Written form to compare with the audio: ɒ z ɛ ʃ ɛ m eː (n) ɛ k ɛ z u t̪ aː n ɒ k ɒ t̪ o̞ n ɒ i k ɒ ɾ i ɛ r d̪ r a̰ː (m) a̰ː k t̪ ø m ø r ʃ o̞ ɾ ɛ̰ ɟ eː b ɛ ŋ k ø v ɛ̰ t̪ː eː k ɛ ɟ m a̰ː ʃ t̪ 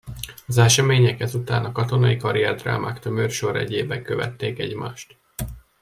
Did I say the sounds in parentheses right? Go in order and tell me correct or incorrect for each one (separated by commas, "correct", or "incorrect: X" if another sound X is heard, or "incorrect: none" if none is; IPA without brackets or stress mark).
incorrect: ɲ, correct